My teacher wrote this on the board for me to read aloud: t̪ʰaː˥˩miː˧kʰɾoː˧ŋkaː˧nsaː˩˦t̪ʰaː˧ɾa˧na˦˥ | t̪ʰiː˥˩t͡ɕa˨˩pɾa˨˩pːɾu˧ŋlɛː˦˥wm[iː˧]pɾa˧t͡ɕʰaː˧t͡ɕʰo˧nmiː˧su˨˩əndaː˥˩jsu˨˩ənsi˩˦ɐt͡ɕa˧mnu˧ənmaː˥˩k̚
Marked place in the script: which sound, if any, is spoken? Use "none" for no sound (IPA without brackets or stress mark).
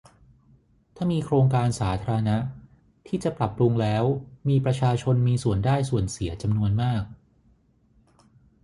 iː˧